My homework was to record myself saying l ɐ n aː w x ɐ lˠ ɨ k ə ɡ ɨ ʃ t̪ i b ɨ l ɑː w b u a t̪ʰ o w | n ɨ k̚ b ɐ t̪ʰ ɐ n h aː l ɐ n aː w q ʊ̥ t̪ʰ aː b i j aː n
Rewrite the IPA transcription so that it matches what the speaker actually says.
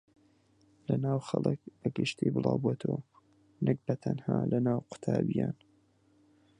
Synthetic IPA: l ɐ n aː w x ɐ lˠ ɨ k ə ɡ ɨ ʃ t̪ i b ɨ l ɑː w b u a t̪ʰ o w | n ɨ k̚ b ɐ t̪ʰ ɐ n h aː l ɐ n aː w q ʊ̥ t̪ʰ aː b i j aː n

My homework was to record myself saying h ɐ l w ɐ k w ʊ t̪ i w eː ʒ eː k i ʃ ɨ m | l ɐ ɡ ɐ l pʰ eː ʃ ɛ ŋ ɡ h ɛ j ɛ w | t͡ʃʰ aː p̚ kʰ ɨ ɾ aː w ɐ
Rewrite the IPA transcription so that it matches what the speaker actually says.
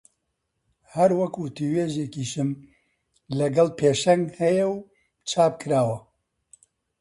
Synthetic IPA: h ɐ ɾ w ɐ k w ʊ t̪ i w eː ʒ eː k i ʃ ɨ m | l ɐ ɡ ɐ l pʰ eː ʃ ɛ ŋ ɡ h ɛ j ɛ w | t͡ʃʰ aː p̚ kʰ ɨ ɾ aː w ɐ

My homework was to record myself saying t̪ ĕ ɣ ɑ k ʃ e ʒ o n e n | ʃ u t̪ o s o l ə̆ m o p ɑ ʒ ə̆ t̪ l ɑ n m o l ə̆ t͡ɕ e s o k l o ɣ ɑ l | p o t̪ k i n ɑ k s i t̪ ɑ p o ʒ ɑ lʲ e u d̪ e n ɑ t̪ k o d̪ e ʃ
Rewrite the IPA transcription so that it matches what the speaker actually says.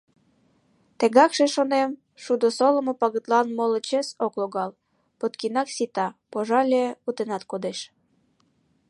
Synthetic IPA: t̪ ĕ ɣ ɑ k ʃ e ʃ o n e m | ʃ u d̪ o s o l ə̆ m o p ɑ ɣ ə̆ t̪ l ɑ n m o l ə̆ t͡ɕ e s o k l o ɣ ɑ l | p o t̪ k i n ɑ k s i t̪ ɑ p o ʒ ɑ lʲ e u t̪ e n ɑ t̪ k o d̪ e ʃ

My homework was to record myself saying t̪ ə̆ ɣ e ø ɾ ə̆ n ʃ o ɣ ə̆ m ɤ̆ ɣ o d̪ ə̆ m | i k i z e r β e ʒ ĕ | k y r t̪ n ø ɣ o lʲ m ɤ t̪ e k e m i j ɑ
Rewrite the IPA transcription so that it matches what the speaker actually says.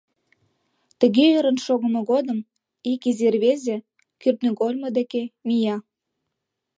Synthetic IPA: t̪ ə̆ ɣ e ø ɾ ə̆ n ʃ o ɣ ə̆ m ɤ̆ ɣ o d̪ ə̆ m | i k i z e r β e z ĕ | k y r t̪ n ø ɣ o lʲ m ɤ d̪ e k e m i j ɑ

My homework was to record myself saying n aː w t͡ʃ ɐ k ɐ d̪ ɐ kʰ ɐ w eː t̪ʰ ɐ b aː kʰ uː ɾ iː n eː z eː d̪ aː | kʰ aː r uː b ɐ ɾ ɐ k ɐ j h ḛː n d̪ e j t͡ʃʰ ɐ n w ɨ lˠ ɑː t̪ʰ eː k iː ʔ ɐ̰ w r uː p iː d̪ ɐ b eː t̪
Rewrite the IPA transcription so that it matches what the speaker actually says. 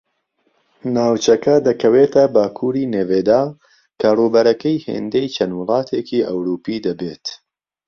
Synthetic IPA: n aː w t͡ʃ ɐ k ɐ d̪ ɐ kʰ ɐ w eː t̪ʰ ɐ b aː kʰ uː ɾ iː n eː v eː d̪ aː | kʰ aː r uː b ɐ ɾ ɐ k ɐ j h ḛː n d̪ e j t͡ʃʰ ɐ n w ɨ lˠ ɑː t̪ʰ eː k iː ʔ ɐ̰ w ɾ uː p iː d̪ ɐ b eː t̪

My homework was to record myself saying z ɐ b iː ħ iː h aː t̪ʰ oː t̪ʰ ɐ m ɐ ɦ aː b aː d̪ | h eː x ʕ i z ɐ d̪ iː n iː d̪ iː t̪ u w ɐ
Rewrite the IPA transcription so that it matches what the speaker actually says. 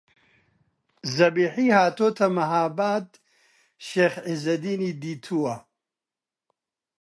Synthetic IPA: z ɐ b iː ħ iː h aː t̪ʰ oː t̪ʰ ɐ m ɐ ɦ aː b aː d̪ | ʃ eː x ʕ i z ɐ d̪ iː n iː d̪ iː t̪ʰ u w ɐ

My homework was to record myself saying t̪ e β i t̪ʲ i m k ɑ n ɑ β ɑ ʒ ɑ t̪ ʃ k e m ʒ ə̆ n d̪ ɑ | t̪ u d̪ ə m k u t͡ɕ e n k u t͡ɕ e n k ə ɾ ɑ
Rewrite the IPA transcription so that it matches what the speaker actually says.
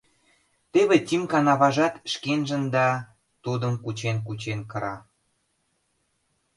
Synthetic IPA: t̪ e β e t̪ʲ i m k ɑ n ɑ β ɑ ʒ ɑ t̪ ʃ k e n ʒ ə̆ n d̪ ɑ | t̪ u d̪ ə m k u t͡ɕ e n k u t͡ɕ e n k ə ɾ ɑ

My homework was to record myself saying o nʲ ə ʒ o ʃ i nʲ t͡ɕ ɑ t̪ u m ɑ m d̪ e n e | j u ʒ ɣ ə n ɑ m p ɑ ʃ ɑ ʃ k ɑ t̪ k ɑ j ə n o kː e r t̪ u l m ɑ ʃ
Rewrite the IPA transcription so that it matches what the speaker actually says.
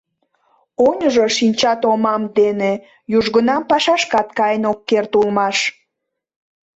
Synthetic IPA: o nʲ ə ʒ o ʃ i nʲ t͡ɕ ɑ t̪ o m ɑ m d̪ e n e | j u ʒ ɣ ə n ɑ m p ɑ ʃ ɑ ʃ k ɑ t̪ k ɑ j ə n o kː e r t̪ u l m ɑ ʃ

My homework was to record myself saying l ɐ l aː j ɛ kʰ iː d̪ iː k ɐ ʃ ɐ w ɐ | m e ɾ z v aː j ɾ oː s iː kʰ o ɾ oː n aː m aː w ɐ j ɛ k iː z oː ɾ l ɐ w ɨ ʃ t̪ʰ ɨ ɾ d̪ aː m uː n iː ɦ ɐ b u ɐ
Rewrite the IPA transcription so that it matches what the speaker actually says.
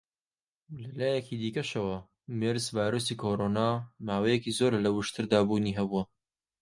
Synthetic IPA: l ɐ l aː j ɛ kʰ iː d̪ iː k ɐ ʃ ɐ w ɐ | m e ɾ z v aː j ɾ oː s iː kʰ o ɾ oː n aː m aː w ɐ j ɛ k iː z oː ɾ l ɐ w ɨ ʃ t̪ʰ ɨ ɾ d̪ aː b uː n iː ɦ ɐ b u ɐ

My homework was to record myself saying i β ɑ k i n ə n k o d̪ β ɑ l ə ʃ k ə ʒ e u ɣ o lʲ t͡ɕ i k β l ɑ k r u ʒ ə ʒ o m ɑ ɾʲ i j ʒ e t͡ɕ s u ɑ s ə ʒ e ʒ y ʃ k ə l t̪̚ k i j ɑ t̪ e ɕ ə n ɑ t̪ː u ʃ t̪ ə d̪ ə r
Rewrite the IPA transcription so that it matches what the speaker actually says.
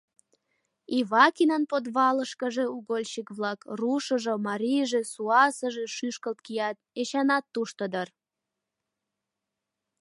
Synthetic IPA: i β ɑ k i n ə n p o d̪ β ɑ l ə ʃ k ə ʒ e u ɣ o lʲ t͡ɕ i k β l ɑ k r u ʃ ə ʒ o m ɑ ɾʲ i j ʒ e s u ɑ s ə ʒ e ʃ y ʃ k ə l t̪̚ k i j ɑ t̪ e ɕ ɑ n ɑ t̪ː u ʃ t̪ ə d̪ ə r

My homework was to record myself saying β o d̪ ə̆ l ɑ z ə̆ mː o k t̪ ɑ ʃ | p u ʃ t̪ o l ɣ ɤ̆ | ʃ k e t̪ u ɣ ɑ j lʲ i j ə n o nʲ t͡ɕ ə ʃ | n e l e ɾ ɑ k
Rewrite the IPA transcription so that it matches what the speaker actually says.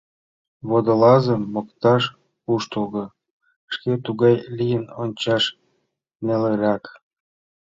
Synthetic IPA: β o d̪ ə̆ l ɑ z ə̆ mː o k t̪ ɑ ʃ | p u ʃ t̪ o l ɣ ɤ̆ | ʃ k e t̪ u ɣ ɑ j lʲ i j ə n o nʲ t͡ɕ ɑ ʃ | n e l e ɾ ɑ k

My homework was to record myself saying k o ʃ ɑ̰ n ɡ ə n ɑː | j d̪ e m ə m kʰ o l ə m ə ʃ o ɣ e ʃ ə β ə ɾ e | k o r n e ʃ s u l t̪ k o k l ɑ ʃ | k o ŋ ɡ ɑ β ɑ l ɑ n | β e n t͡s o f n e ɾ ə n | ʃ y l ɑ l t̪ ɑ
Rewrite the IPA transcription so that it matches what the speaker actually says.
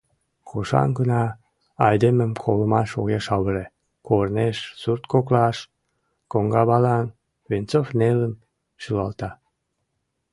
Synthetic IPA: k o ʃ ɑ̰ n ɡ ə n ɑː | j d̪ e m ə m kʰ o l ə m ɑ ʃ o ɣ e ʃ ɑ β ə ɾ e | k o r n e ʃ s u r t̪ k o k l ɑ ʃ | k o ŋ ɡ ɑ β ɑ l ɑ n | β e n t͡s o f n e l ə n | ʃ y l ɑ l t̪ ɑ

